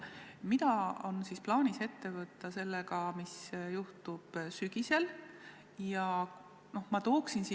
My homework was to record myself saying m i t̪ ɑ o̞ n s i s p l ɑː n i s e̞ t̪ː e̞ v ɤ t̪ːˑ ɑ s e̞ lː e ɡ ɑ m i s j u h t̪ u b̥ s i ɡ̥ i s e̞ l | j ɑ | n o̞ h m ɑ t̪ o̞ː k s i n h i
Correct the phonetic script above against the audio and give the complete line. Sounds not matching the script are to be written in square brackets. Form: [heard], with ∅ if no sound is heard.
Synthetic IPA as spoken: m i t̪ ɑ o̞ n s i s p l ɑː n i s e̞ t̪ː e̞ v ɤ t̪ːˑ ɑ s e̞ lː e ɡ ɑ m i s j u h t̪ u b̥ s [y] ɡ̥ i s e̞ l | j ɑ | n o̞ h m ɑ t̪ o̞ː k s i n [s] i

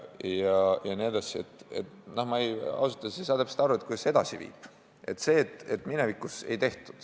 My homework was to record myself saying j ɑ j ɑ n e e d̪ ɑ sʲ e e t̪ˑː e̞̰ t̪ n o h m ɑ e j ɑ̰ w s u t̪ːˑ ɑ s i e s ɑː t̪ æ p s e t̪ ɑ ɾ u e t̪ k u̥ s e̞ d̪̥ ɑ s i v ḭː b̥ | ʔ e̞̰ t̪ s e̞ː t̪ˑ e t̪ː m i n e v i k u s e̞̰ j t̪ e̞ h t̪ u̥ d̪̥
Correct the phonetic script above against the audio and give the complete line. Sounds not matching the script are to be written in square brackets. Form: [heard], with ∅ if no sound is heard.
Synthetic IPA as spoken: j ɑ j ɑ n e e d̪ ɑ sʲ [i] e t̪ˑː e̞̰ t̪ n o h m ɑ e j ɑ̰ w s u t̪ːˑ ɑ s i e s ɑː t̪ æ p s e t̪ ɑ ɾ u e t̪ k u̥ s e̞ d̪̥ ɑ s i v ḭː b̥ | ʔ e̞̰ t̪ s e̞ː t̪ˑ e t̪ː m i n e v i k u s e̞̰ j t̪ e̞ h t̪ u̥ d̪̥

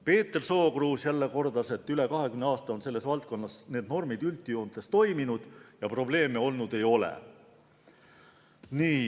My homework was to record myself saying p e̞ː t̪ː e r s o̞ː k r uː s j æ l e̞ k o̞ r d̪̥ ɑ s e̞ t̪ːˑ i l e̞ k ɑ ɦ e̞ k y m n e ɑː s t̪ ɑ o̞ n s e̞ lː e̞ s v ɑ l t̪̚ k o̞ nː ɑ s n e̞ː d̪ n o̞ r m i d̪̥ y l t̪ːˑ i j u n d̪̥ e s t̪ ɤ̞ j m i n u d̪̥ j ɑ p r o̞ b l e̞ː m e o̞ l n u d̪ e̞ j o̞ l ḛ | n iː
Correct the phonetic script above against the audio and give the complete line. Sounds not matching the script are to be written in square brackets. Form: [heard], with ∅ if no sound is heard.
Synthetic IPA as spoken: p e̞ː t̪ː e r s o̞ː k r uː s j æ [lː] e̞ k o̞ r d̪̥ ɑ s e̞ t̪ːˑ [y] l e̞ k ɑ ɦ e̞ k y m n e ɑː s t̪ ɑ o̞ n s e̞ lː e̞ s v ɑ l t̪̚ k o̞ nː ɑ s n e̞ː d̪ n o̞ r m i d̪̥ y l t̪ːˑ i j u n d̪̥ e s t̪ [o̞] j m i n u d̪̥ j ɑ p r o̞ b l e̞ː m e o̞ l n u d̪ e̞ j o̞ l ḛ | n iː

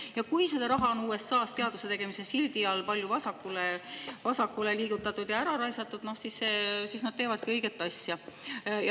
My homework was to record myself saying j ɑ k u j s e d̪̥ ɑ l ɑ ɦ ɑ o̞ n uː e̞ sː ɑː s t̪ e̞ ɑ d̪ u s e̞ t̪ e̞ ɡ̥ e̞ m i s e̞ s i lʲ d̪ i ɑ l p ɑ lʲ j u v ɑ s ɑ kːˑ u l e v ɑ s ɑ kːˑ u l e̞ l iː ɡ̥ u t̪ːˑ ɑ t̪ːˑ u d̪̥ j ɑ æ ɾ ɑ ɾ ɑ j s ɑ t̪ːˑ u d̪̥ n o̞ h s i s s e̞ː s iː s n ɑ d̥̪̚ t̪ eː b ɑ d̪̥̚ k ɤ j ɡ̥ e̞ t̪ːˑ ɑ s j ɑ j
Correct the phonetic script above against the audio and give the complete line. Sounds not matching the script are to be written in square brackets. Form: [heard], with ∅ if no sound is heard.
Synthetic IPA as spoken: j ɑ k u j s e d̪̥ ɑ [ɾ] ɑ ɦ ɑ o̞ n uː e̞ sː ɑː s t̪ e̞ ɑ d̪ u s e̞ t̪ e̞ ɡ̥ e̞ m i s e̞ s i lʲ d̪ i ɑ l p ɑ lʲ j u v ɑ s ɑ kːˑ u l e v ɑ s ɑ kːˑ u l e̞ l iː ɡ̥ u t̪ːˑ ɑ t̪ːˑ u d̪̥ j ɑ æ ɾ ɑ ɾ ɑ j s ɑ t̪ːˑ u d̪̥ n o̞ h s i s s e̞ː s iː s n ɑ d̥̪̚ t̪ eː [v] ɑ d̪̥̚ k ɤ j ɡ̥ e̞ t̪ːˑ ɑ s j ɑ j

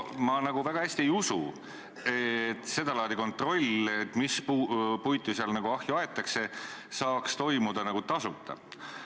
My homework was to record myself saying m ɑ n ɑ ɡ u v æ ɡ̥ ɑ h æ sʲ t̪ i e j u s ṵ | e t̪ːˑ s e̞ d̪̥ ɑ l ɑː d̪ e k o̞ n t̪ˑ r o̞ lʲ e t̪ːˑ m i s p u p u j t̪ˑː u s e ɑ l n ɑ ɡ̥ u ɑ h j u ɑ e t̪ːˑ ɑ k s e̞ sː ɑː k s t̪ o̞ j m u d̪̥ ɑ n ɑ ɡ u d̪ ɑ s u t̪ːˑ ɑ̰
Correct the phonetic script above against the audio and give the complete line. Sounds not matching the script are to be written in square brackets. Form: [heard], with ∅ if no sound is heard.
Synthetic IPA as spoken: m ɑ n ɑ ɡ u v æ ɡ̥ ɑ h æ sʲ t̪ i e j u s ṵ | e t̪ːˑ s e̞ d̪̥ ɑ l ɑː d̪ [i] k o̞ n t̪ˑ r o̞ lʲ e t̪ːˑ m i s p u p u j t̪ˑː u s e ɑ l n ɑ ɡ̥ u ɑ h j u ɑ e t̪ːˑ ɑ k s e̞ [s] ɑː k s t̪ o̞ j m u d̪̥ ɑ n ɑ ɡ u [t̪] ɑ s u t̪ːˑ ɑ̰

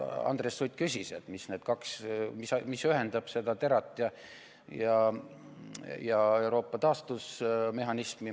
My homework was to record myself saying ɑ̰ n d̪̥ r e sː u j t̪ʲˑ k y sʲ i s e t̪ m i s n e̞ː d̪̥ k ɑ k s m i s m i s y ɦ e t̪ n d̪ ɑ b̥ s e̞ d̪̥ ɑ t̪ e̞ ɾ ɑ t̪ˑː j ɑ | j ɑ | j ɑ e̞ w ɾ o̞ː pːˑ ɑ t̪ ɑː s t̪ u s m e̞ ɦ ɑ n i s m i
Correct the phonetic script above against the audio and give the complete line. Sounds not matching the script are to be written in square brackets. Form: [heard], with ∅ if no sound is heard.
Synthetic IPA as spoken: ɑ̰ n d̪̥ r e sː u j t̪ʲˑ k y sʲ i s e t̪ m i s n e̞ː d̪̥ k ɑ k s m i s m i s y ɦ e [∅] n d̪ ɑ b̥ s e̞ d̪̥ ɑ t̪ e̞ ɾ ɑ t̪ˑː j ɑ | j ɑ | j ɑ e̞ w ɾ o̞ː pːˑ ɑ t̪ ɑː s t̪ u s m e̞ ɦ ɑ n i s m i

